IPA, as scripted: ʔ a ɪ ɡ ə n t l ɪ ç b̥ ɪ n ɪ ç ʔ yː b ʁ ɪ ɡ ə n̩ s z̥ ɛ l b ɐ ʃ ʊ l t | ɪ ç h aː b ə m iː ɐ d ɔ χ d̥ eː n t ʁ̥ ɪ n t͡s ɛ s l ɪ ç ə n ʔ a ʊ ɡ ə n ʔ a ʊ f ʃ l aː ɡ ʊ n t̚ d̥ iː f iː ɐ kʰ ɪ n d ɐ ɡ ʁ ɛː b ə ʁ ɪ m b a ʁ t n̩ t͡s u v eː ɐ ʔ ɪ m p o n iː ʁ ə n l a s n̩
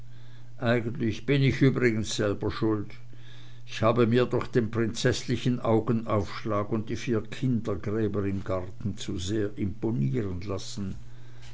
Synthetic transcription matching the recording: ʔ a ɪ ɡ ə n t l ɪ ç b̥ ɪ n ɪ ç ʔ yː b ʁ ɪ ɡ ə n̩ s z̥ ɛ l b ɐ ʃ ʊ l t | ɪ ç h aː b ə m iː ɐ d ɔ χ d̥ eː n p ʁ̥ ɪ n t͡s ɛ s l ɪ ç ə n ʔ a ʊ ɡ ə n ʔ a ʊ f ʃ l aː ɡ ʊ n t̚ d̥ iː f iː ɐ kʰ ɪ n d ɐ ɡ ʁ ɛː b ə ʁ ɪ m ɡ a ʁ t n̩ t͡s u z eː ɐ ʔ ɪ m p o n iː ʁ ə n l a s n̩

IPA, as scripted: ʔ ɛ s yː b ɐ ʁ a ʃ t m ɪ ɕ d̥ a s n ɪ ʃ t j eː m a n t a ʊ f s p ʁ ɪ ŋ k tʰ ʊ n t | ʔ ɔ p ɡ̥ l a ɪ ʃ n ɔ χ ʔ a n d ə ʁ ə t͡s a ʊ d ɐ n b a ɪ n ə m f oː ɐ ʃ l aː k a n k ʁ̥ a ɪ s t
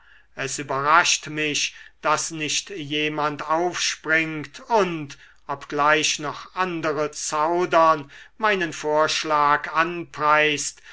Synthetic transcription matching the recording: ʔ ɛ s yː b ɐ ʁ a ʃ t m ɪ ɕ d̥ a s n ɪ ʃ t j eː m a n t a ʊ f ʃ p ʁ ɪ ŋ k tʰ ʊ n t | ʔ ɔ p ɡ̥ l a ɪ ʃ n ɔ χ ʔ a n d ə ʁ ə t͡s a ʊ d ɐ n m a ɪ n ə n f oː ɐ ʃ l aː k a n p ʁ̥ a ɪ s t

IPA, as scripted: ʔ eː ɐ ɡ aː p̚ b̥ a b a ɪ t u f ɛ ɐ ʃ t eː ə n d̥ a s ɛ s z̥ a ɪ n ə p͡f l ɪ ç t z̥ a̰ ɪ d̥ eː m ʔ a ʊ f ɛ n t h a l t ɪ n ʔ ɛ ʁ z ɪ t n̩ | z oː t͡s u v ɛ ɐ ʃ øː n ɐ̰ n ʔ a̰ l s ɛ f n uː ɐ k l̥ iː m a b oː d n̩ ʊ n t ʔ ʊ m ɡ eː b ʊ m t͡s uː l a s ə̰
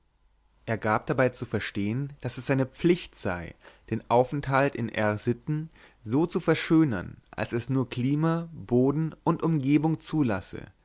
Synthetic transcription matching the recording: ʔ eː ɐ ɡ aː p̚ d̥ a b a ɪ t͡s u f ɛ ɐ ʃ t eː ə n d̥ a s ɛ s z̥ a ɪ n ə p͡f l ɪ ç t z̥ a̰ ɪ d̥ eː n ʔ a ʊ f ɛ n t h a l t ɪ n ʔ ɛ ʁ z ɪ t n̩ | z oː t͡s u f ɛ ɐ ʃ øː n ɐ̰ n ʔ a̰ l s ɛ s n uː ɐ k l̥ iː m a b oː d n̩ ʊ n t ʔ ʊ m ɡ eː b ʊ ŋ t͡s uː l a s ə̰

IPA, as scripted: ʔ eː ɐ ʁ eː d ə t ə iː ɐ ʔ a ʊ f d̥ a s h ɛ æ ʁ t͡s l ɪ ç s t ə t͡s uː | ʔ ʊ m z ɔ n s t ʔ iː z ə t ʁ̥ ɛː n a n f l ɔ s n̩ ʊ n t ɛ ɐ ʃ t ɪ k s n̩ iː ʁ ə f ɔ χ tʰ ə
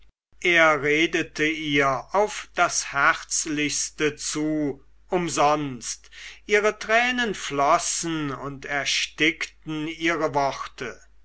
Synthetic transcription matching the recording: ʔ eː ɐ ʁ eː d ə t ə iː ɐ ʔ a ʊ f d̥ a s h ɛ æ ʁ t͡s l ɪ ç s t ə t͡s uː | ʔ ʊ m z ɔ n s t ʔ iː ʁ ə t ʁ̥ ɛː n ə n f l ɔ s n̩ ʊ n t ɛ ɐ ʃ t ɪ k t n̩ iː ʁ ə v ɔ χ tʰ ə

